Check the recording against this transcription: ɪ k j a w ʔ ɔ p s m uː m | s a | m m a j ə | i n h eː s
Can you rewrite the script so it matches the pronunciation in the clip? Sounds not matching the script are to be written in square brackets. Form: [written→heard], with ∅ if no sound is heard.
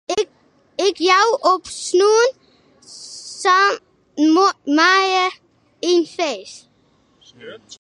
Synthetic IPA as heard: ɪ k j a w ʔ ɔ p s [m→n] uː [m→n] | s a | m m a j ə | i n [h→f] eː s